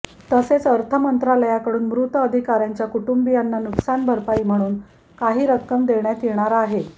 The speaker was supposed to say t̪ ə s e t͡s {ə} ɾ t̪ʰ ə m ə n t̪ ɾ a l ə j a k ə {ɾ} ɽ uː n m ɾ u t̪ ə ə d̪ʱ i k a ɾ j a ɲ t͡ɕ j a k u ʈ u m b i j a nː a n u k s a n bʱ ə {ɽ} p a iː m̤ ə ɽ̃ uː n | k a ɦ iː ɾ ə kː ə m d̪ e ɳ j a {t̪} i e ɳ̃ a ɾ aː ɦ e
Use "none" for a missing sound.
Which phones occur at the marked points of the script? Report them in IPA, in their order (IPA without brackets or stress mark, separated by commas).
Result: ə, none, ɾ, t̪